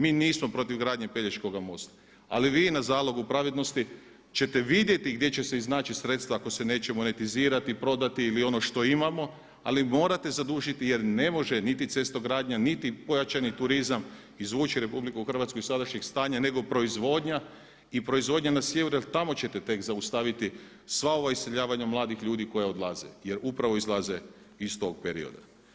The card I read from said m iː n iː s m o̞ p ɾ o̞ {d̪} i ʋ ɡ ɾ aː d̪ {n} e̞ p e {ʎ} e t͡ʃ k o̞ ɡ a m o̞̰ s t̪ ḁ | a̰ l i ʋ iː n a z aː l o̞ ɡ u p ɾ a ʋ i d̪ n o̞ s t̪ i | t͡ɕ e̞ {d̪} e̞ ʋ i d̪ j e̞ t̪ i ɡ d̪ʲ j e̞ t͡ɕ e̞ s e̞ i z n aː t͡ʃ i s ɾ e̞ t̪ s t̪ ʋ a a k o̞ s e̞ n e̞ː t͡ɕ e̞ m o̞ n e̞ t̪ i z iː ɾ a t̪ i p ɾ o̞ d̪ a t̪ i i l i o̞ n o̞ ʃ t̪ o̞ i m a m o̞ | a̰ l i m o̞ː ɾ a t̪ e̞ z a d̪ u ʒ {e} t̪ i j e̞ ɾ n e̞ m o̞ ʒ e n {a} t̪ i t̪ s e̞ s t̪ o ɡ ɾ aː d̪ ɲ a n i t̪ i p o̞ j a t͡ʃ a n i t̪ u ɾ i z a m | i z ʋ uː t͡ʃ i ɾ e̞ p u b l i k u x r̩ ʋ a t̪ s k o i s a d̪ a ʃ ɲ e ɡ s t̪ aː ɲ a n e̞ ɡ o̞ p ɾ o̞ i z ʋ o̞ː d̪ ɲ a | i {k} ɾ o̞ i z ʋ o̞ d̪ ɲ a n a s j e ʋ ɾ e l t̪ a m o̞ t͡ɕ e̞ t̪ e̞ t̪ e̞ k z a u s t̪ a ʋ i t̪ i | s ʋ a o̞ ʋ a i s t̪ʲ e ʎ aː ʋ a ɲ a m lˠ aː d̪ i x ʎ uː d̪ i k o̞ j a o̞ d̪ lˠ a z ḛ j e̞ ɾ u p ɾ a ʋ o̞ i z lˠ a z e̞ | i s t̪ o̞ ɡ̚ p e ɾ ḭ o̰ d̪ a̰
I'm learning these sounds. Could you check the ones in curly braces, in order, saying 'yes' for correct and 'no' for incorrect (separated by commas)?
no, no, yes, no, no, no, no